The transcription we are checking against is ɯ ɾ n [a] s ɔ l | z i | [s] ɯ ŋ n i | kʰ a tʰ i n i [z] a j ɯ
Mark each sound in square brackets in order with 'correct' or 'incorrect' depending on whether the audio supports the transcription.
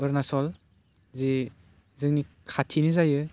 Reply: correct, incorrect: z, correct

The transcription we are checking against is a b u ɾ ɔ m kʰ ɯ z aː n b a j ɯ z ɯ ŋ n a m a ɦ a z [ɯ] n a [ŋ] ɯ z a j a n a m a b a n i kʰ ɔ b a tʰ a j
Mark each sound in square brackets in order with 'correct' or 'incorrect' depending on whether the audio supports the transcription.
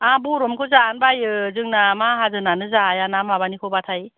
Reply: correct, incorrect: n

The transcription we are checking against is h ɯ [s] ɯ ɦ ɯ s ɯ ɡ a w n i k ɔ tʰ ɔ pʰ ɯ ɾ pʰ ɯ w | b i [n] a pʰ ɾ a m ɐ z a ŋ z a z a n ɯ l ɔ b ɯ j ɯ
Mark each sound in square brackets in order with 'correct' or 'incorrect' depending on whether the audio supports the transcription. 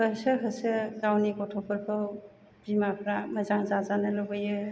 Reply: correct, incorrect: m

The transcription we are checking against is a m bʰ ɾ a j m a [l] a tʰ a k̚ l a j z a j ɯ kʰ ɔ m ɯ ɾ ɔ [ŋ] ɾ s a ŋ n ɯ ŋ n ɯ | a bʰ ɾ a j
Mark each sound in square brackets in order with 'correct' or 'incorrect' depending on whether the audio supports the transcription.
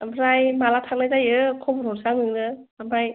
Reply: correct, incorrect: none

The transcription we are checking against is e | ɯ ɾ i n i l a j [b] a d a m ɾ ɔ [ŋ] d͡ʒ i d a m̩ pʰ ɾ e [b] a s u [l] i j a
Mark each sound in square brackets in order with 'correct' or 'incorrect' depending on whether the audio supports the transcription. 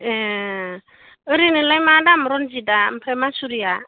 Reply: incorrect: m, incorrect: n, incorrect: m, incorrect: ɾ

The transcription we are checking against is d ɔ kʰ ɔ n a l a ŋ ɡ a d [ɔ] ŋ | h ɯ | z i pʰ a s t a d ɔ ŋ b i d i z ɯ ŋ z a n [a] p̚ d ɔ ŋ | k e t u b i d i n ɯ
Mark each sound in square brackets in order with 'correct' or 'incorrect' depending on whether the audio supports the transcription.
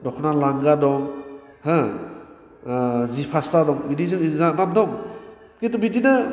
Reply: correct, correct

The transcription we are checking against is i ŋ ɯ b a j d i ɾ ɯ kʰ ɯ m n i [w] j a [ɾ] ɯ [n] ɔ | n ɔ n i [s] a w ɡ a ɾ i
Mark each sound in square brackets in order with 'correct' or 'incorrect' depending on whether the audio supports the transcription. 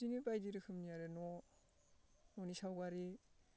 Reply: incorrect: none, correct, correct, correct

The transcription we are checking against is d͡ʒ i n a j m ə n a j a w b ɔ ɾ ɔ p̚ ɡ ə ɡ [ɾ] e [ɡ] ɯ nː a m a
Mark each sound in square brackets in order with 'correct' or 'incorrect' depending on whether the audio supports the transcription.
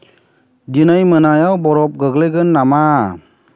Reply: incorrect: l, correct

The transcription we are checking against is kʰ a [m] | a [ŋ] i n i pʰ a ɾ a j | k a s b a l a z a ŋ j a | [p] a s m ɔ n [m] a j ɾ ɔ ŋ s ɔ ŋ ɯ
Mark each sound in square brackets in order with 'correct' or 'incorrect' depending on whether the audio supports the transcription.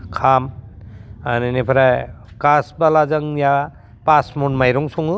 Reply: correct, incorrect: n, correct, correct

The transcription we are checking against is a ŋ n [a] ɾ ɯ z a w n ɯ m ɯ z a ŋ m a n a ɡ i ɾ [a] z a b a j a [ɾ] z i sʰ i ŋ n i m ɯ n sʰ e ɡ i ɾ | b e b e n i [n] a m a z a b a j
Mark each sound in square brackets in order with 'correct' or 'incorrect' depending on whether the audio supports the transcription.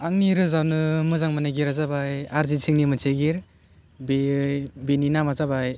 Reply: incorrect: i, correct, correct, correct

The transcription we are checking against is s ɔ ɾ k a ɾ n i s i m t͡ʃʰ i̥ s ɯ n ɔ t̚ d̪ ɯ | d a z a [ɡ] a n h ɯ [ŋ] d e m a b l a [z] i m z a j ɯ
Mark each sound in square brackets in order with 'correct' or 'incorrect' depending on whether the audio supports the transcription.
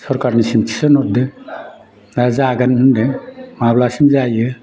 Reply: correct, incorrect: n, incorrect: s

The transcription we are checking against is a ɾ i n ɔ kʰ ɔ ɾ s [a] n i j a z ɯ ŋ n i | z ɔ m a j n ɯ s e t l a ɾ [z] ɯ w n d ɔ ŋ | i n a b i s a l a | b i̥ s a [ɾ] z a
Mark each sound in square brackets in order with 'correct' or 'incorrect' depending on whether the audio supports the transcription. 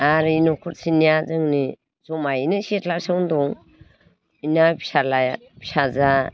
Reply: incorrect: i, incorrect: s, incorrect: none

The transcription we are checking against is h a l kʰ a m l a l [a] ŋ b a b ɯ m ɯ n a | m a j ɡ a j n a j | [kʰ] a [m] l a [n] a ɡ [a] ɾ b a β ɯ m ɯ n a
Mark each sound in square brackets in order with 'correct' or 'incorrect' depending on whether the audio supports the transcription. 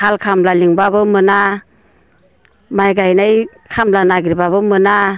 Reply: incorrect: i, correct, correct, correct, incorrect: i

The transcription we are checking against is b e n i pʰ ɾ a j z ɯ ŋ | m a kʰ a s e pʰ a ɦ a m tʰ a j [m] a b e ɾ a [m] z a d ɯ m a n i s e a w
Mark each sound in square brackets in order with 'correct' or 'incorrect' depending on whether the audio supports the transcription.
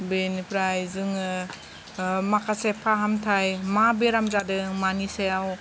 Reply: correct, correct

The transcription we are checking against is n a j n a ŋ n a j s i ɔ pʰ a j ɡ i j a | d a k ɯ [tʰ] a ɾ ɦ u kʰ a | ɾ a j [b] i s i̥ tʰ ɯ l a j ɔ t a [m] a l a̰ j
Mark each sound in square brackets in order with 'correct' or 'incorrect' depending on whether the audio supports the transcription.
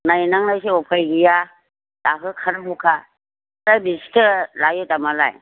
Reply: incorrect: kʰ, correct, correct

